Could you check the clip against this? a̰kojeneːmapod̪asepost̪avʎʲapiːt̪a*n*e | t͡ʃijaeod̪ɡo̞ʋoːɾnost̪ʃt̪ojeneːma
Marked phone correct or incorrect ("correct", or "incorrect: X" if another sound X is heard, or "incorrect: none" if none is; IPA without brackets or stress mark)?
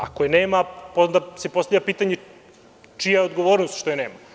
incorrect: ɲ